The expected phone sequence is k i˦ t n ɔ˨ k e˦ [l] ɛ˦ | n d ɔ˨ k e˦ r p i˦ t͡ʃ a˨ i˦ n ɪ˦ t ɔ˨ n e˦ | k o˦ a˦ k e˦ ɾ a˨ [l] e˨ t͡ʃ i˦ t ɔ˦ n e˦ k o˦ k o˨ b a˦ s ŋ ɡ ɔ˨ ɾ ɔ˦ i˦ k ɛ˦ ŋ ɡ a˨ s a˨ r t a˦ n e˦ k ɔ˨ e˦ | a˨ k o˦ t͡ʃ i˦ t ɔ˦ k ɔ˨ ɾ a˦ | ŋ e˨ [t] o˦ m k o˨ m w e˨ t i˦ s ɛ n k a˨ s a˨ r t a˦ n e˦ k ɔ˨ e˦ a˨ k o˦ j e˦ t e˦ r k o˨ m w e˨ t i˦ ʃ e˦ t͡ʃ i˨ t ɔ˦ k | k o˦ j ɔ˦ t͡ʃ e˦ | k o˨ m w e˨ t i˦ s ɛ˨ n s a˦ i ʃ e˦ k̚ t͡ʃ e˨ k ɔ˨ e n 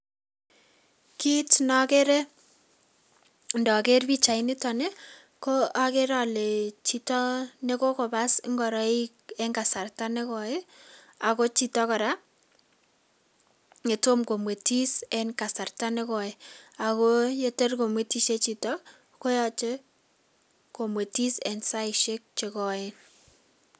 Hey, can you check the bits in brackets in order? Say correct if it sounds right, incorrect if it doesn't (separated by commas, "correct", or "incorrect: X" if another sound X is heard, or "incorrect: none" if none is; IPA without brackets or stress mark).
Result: incorrect: ɾ, correct, correct